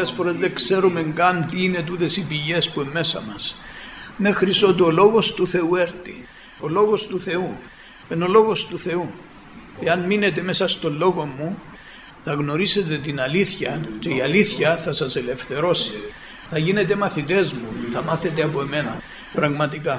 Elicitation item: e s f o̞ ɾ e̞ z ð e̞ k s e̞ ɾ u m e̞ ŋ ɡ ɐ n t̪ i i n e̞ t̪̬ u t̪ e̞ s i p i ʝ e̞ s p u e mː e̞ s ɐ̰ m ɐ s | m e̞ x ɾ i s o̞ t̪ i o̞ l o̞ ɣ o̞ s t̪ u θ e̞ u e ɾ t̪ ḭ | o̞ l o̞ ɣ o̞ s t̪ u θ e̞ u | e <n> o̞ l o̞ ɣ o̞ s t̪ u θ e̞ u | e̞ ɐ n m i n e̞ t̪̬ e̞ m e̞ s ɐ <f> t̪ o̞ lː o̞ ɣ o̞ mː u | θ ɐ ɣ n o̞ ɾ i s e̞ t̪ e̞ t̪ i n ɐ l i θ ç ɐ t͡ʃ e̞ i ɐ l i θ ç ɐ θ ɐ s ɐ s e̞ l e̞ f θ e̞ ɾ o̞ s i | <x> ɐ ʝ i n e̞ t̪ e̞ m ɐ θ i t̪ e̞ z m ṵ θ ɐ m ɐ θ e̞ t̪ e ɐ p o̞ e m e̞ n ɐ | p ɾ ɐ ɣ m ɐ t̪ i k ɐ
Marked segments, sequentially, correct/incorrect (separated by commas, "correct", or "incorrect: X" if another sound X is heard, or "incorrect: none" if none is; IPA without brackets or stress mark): correct, incorrect: s, incorrect: θ